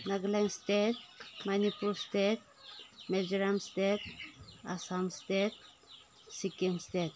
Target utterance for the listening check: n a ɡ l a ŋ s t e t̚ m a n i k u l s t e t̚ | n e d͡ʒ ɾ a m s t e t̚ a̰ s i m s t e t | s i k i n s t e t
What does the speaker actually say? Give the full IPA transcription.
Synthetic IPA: n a ɡ l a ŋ s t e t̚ m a n i p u l s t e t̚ | m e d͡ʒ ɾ a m s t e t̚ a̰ s a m s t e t | s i k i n s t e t